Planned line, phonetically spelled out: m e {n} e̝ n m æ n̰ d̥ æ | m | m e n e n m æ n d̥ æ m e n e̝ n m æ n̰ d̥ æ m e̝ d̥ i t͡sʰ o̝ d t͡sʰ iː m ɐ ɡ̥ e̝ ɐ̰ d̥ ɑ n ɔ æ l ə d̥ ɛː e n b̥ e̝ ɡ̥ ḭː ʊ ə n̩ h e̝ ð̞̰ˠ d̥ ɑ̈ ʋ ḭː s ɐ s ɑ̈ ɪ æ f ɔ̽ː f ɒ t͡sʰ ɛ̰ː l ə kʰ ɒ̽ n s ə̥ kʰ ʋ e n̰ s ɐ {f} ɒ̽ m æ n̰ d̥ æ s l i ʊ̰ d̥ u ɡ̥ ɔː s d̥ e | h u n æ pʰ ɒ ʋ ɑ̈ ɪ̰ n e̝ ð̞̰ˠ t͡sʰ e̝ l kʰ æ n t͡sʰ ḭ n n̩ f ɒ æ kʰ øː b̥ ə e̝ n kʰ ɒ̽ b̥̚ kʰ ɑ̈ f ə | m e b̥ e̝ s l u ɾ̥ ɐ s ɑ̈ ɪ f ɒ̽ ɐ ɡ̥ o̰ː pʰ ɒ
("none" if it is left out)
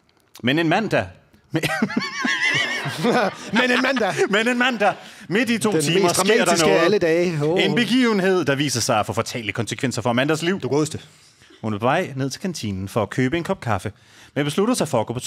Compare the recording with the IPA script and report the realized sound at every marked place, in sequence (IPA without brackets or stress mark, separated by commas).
n, f